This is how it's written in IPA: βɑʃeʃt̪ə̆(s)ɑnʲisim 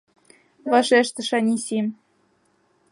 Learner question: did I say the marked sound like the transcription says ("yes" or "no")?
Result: no